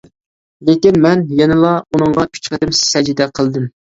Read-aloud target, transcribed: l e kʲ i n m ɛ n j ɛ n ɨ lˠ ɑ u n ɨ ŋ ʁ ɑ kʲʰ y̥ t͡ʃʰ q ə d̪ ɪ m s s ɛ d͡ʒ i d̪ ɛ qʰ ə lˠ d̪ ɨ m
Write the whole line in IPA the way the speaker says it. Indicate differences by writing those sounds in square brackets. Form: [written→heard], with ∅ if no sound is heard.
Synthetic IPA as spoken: l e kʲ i n m ɛ n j ɛ n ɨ lˠ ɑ u n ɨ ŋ ʁ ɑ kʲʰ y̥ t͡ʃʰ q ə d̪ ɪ m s s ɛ d͡ʒ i d̪ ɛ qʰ ə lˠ d̪ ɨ m